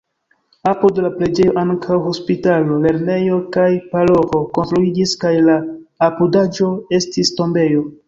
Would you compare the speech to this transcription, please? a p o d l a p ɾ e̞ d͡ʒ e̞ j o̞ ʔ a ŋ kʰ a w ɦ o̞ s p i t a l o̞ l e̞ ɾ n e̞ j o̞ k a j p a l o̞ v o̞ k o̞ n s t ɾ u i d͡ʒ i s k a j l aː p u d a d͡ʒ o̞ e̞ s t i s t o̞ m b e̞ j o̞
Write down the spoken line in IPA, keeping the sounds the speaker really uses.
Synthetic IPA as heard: a p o d l a p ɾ e̞ d͡ʒ e̞ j o̞ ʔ a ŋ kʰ a w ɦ o̞ s p i t a l o̞ l e̞ ɾ n e̞ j o̞ k a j p a l o̞ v o̞ k o̞ n s t ɾ u i d͡ʒ i s k a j l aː p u d a d͡ʒ o̞ e̞ s t i s t o̞ m b e̞ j o̞

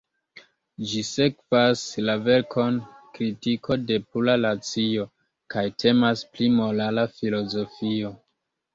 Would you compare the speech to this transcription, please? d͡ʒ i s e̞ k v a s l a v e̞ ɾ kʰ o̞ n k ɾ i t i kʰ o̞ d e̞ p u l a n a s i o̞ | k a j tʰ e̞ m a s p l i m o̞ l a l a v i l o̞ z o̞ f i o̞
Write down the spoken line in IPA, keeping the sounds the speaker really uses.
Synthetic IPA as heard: d͡ʒ i s e̞ k v a s l a v e̞ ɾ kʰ o̞ n k ɾ i t i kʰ o̞ d e̞ p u l a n a t͡s i o̞ | k a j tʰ e̞ m a s p l i m o̞ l a l a f i l o̞ z o̞ f i o̞

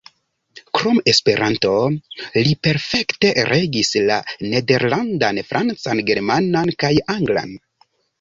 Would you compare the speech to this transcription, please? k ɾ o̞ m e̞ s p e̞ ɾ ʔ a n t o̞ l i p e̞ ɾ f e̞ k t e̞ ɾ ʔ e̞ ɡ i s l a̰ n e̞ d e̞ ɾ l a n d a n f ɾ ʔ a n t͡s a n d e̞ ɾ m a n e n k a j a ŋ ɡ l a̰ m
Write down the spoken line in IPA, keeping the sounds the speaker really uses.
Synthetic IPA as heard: k ɾ o̞ m e̞ s p e̞ ɾ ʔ a n t o̞ l i p e̞ ɾ f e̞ k t e̞ ɾ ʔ e̞ ɡ i s l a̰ n e̞ d e̞ ɾ l a n d a n f ɾ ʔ a n t͡s a n ɡ e̞ ɾ m a n a n k a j a ŋ ɡ l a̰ n

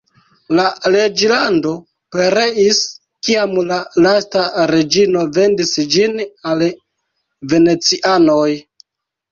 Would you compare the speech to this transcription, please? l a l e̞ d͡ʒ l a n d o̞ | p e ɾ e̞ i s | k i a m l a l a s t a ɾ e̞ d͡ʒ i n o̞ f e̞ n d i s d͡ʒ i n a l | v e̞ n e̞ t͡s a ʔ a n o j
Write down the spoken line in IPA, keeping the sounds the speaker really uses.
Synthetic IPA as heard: l a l e̞ d͡ʒ l a n d o̞ | p e ɾ e̞ i s | k i a m l a l a s t a ɾ e̞ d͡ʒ i n o̞ v e̞ n d i s d͡ʒ i n a l | v e̞ n e̞ t͡s i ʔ a n o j

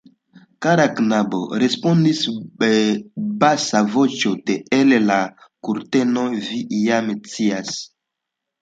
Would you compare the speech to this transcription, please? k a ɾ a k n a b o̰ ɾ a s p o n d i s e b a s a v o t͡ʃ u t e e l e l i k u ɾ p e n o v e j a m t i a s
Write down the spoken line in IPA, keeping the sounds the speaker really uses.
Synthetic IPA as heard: k a ɾ a k n a b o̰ ɾ e s p o n d i s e b a s a v o t͡ʃ o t e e l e l a k u ɾ t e n o v i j a m t͡s i a s

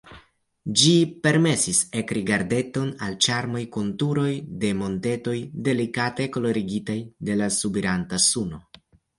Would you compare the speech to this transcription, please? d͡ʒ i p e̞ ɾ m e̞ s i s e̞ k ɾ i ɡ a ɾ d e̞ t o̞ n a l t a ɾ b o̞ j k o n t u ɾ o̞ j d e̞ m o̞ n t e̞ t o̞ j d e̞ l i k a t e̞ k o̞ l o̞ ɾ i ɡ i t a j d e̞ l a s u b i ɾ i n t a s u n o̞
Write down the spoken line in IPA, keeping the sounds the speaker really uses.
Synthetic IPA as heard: d͡ʒ i p e̞ ɾ m e̞ s i s e̞ k ɾ i ɡ a ɾ d e̞ t o̞ n a l t͡ʃ a ɾ m o̞ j k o n t u ɾ o̞ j d e̞ m o̞ n t e̞ t o̞ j d e̞ l i k a t e̞ k o̞ l o̞ ɾ i ɡ i t a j d e̞ l a s u b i ɾ a n t a s u n o̞

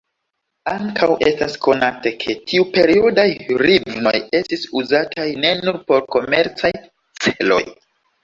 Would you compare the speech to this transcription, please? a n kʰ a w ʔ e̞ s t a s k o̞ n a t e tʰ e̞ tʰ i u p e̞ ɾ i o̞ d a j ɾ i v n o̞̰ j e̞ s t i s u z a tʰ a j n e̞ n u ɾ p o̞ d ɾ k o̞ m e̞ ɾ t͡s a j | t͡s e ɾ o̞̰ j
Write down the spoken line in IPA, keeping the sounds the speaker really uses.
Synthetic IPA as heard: a ŋ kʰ a w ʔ e̞ s t a s k o̞ n a t e kʰ e̞ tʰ i u p e̞ ɾ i o̞ d a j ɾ i v n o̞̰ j e̞ s t i s u z a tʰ a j n e̞ n u ɾ p o̞ ɾ k o̞ m e̞ ɾ t͡s a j | t͡s e l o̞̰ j

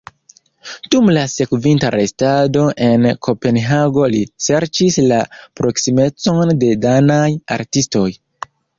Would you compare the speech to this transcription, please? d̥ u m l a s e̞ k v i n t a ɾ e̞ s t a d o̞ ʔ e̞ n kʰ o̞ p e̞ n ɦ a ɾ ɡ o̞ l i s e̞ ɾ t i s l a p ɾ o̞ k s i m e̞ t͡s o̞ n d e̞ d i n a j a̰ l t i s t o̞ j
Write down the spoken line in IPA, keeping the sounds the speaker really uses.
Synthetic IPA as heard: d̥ u m l a s e̞ k v i n t a ɾ e̞ s t a d o̞ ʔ e̞ n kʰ o̞ p e̞ n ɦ a ɡ o̞ l i s e̞ ɾ t͡ʃ i s l a p ɾ o̞ k s i m e̞ t͡s o̞ n d e̞ d a n a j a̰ ɾ t i s t o̞ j

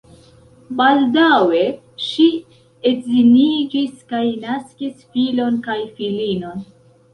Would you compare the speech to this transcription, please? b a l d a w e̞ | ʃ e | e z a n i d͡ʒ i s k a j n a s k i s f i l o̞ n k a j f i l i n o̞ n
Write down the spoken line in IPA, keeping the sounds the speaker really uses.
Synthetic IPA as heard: b a l d a w e̞ | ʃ i | e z i n i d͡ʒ i s k a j n a s k i s f i l o̞ n k a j f i l i n o̞ n

